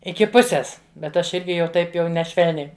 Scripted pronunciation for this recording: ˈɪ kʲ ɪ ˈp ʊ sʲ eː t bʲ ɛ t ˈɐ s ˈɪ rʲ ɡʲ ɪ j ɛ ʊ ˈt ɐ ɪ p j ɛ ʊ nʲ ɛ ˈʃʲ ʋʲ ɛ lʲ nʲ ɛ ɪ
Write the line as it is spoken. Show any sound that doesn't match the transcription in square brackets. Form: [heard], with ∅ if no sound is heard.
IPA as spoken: ˈɪ kʲ ɪ ˈp ʊ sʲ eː [s] bʲ ɛ t ˈɐ [ʃ] ˈɪ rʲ ɡʲ ɪ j ɛ ʊ ˈt ɐ ɪ p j ɛ ʊ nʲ ɛ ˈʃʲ ʋʲ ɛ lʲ nʲ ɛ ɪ